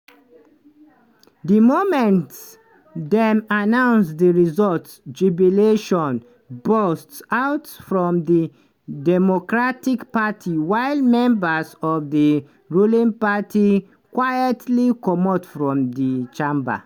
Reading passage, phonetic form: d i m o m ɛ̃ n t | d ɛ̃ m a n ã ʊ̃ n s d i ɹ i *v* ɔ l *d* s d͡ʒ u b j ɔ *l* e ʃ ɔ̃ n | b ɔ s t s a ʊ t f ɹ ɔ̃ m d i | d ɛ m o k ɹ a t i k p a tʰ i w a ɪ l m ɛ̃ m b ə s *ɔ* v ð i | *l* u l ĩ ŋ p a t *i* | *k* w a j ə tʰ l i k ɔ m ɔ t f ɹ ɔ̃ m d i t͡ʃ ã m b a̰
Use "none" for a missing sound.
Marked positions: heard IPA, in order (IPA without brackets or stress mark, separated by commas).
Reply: z, t, l, ɔ, ɹ, i, k